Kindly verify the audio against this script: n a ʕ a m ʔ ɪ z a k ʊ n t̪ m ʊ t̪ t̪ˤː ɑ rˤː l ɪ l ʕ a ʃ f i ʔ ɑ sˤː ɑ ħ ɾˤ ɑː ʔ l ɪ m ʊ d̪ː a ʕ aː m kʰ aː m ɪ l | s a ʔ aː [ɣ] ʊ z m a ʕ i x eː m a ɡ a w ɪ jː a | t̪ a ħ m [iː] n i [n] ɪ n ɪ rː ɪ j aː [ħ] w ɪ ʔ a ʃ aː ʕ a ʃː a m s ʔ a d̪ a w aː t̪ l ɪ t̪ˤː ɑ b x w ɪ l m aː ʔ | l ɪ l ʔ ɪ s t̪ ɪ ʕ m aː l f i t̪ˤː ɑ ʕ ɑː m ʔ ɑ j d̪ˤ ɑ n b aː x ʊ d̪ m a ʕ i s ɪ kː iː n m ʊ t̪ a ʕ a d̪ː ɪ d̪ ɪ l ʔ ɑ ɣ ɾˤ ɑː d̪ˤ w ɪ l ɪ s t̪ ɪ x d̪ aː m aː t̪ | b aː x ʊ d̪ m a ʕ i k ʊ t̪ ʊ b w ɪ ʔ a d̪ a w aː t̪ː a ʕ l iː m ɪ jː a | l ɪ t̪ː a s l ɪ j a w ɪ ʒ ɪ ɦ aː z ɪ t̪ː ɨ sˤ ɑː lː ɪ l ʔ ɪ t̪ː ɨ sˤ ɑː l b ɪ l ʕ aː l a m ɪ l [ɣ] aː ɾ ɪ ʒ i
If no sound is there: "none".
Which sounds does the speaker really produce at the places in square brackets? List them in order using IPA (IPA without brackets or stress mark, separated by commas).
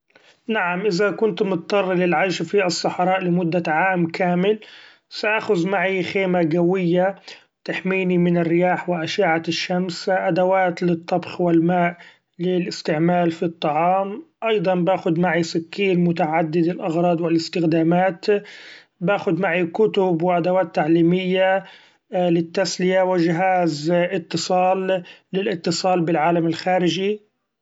x, iː, m, ħ, x